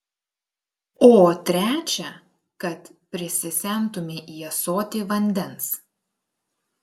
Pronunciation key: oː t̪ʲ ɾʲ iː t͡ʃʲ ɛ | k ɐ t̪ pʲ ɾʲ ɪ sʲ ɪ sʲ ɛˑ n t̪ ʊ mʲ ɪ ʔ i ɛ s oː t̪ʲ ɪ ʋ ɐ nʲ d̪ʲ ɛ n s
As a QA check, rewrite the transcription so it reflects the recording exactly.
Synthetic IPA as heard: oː t̪ʲ ɾʲ æː t͡ʃʲ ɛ | k ɐ t̪ pʲ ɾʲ ɪ sʲ ɪ sʲ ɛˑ n t̪ ʊ mʲ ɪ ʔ i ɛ s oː t̪ʲ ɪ ʋ ɐ nʲ d̪ʲ ɛ n s